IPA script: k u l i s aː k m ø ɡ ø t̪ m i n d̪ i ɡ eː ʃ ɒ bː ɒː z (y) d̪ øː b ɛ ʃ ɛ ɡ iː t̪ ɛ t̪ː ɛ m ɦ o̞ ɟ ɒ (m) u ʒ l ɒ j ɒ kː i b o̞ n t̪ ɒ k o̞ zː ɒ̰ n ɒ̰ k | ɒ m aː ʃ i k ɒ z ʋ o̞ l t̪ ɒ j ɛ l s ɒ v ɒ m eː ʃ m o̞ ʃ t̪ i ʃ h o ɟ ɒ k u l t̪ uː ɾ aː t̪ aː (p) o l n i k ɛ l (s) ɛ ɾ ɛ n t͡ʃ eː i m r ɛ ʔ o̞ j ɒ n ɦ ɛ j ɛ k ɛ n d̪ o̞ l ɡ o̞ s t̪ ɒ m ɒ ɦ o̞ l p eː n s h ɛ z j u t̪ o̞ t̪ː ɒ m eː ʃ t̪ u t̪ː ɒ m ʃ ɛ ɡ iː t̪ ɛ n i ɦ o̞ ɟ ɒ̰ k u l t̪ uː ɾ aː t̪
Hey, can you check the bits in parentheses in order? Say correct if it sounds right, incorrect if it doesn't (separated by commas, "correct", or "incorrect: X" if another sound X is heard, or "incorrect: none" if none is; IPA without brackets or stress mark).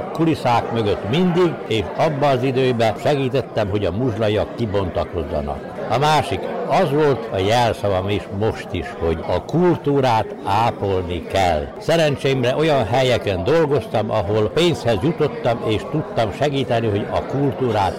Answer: incorrect: i, correct, correct, correct